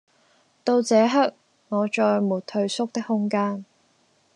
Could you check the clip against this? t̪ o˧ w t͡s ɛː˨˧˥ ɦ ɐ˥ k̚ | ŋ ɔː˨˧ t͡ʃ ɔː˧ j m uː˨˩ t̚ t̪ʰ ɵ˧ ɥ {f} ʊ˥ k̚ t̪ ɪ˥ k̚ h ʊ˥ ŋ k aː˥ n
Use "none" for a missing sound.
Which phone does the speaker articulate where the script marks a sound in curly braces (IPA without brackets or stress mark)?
s